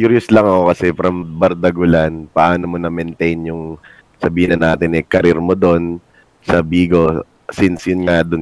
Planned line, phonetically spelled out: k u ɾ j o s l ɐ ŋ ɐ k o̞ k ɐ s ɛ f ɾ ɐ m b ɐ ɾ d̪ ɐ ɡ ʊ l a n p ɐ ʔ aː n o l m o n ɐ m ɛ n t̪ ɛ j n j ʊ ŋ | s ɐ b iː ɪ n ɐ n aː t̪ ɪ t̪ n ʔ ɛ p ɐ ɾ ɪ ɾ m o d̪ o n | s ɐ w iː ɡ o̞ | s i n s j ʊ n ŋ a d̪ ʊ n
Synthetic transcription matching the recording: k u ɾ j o s l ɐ ŋ ɐ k o̞ k ɐ s ɛ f ɾ ɐ m b ɐ ɾ d̪ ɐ ɡ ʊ l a n p ɐ ʔ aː n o m o n ɐ m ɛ n t̪ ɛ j n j ʊ ŋ | s ɐ b iː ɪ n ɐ n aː t̪ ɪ n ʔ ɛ k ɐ ɾ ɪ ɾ m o d̪ o n | s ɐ b iː ɡ o̞ | s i n s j ʊ n ŋ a d̪ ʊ n